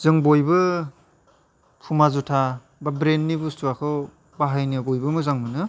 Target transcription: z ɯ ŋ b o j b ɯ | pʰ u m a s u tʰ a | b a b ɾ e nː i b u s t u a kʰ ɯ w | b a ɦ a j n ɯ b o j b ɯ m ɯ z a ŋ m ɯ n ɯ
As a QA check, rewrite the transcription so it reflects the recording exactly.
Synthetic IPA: z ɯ ŋ b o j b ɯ | pʰ u m a z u tʰ a | b a b ɾ e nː i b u s t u a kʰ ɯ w | b a ɦ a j n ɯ b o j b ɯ m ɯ z a ŋ m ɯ n ɯ